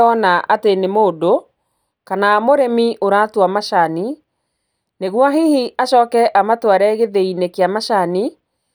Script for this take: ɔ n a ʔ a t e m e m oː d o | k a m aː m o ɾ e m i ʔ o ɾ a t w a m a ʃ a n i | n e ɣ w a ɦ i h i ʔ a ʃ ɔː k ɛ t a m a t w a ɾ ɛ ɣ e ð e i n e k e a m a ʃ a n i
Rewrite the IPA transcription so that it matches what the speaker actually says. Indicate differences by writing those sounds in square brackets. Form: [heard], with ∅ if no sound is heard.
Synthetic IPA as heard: ɔ n a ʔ a t e [n] e m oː d o | k a [n] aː m o ɾ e m i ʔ o ɾ a t w a m a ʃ a n i | n e ɣ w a ɦ i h i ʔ a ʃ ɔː k ɛ [ʔ] a m a t w a ɾ ɛ ɣ e ð e i n e k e a m a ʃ a n i

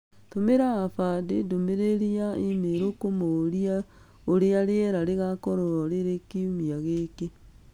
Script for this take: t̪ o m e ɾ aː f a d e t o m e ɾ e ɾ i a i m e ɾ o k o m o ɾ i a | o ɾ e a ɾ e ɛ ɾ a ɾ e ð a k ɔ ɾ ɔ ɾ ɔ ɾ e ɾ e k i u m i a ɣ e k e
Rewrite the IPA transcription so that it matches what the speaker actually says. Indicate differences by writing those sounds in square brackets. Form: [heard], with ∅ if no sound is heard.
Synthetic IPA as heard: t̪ o m e ɾ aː f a d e [d] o m e ɾ e ɾ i a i m e ɾ o k o m o ɾ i a | o ɾ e a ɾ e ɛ ɾ a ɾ e [ɣ] a k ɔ ɾ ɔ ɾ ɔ ɾ e ɾ e k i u m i a ɣ e k e

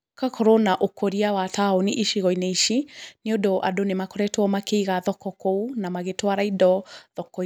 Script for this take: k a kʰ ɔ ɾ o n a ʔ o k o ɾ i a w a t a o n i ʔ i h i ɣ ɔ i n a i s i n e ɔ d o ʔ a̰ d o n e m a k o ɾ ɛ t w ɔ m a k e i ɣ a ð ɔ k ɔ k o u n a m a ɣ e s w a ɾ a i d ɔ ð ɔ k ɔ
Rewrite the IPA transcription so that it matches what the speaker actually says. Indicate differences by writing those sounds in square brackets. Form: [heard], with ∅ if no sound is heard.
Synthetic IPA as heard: k a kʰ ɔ ɾ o n a ʔ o k o ɾ i a w a t a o n i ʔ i [ʃ] i ɣ ɔ i n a i [ʃ] i n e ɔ d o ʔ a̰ d o n e m a k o ɾ ɛ t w ɔ m a k e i ɣ a ð ɔ k ɔ k o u n a m a ɣ e [t] w a ɾ a i d ɔ ð ɔ k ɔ

